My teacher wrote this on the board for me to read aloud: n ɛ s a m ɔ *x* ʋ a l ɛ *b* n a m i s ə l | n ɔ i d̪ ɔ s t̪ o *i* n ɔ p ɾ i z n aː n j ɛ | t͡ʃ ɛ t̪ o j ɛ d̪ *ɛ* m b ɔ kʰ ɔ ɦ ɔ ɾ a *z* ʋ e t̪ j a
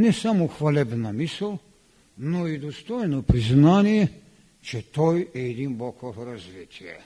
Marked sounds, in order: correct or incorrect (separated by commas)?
correct, correct, incorrect, incorrect, correct